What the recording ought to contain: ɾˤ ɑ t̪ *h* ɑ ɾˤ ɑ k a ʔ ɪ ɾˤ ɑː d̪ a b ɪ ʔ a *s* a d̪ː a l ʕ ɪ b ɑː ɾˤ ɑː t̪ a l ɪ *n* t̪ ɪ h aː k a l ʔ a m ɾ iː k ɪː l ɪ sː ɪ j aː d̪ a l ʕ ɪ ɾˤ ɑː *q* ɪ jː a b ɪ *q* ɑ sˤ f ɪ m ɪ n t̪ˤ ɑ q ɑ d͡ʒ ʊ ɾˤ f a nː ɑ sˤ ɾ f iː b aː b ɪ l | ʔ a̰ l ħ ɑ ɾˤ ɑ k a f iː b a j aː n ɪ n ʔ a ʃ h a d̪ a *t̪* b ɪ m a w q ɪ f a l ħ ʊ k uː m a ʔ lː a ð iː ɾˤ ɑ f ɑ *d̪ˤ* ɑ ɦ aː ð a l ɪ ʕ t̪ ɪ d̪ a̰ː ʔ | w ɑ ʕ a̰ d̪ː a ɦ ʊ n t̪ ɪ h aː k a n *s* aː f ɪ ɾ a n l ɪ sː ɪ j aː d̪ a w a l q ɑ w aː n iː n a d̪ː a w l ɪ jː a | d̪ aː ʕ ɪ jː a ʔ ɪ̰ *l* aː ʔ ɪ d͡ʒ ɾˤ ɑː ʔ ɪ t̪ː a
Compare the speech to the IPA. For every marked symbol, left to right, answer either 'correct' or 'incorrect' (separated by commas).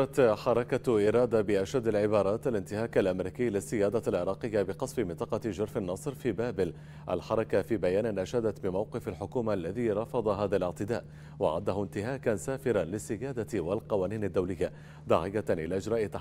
incorrect, incorrect, correct, correct, correct, correct, correct, correct, correct